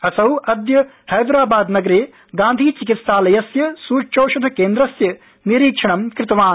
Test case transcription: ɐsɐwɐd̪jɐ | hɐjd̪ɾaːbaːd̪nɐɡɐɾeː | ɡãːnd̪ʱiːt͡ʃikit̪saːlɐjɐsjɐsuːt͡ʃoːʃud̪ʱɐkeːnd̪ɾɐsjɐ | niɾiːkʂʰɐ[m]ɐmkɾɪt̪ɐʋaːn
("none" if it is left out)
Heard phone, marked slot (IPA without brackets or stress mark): ɳ